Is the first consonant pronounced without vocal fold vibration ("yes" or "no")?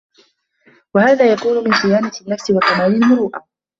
no